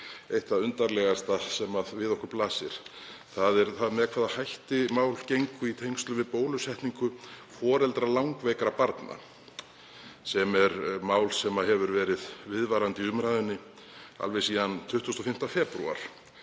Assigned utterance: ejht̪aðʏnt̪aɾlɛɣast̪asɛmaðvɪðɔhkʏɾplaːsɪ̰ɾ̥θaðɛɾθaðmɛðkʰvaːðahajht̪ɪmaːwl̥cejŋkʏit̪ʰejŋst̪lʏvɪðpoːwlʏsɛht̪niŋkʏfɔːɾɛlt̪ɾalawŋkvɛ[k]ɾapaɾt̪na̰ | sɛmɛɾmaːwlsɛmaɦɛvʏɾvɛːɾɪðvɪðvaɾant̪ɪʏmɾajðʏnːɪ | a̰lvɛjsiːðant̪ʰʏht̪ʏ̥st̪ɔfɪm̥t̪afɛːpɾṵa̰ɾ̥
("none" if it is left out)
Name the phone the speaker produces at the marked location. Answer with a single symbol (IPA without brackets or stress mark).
k